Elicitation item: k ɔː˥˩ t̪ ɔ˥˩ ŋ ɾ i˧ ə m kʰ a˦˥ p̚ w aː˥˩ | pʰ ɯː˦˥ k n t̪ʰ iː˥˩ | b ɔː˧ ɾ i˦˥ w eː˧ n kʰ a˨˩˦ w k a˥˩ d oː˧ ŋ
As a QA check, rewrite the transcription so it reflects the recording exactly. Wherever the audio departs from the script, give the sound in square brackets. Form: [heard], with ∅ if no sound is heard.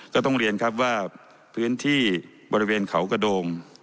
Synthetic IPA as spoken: k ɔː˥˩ t̪ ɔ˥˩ ŋ ɾ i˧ ə [n] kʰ a˦˥ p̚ w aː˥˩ | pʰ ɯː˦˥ [∅] n t̪ʰ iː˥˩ | b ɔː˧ ɾ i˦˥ w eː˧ n kʰ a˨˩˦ w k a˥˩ d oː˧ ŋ